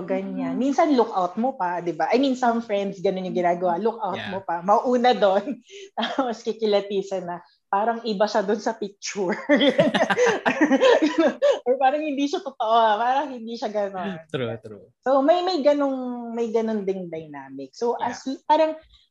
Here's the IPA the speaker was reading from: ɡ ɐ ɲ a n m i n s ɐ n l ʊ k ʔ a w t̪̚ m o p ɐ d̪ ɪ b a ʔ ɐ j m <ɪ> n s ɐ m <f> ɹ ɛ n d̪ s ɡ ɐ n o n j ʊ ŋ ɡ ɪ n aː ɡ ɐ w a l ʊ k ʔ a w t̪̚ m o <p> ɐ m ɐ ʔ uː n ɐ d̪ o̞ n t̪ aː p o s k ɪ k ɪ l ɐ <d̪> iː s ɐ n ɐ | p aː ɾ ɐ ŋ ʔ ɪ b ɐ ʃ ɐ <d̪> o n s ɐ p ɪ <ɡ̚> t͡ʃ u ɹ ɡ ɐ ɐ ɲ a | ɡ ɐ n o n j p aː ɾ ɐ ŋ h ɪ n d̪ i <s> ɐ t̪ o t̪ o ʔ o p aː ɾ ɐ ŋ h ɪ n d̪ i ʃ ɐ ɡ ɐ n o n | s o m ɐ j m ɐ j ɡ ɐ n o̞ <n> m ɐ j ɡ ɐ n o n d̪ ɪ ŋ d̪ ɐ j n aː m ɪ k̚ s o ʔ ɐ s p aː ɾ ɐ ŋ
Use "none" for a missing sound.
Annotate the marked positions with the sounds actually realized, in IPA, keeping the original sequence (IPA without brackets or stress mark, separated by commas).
i, f, p, t̪, d̪, k̚, ʃ, ŋ